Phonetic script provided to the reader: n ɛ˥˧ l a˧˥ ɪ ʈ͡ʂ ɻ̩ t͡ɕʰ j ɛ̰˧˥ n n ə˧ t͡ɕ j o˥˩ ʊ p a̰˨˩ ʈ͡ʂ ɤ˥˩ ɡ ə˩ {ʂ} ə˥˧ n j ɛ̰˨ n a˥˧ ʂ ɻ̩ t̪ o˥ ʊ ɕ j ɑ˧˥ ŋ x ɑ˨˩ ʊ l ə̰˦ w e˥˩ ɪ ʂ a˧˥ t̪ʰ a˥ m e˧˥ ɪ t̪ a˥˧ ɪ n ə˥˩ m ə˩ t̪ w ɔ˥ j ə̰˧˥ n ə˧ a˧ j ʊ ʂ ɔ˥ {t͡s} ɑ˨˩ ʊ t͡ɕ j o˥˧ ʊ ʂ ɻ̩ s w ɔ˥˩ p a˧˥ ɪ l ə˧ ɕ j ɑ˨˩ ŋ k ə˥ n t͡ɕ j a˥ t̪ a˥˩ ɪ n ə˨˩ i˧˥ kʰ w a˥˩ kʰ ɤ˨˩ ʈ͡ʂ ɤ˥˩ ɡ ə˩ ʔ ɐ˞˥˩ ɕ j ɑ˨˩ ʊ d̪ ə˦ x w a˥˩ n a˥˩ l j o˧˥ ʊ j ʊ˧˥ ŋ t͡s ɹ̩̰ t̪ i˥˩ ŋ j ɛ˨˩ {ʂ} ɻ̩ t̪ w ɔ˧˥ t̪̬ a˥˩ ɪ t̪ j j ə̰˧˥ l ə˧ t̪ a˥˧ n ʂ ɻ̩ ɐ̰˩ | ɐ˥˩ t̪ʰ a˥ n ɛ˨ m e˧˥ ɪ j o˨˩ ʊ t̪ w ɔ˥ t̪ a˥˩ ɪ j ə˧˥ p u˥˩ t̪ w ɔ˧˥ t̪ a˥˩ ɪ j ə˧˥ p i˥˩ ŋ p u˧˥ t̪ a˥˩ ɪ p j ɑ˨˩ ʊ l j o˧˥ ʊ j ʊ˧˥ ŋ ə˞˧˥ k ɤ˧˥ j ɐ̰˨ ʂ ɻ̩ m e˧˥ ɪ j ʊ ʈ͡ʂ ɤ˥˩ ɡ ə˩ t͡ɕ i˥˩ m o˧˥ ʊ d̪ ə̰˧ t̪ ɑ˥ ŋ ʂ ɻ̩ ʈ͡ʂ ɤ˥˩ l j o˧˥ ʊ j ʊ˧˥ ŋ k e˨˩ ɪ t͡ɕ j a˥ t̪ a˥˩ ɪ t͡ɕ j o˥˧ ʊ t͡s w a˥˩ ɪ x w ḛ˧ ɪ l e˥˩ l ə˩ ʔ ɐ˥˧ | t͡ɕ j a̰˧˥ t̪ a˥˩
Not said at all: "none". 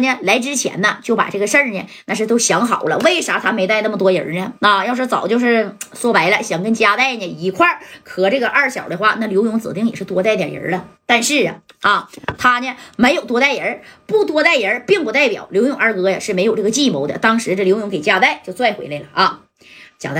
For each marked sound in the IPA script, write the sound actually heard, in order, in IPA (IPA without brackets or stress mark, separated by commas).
ʂ, t͡s, ʂ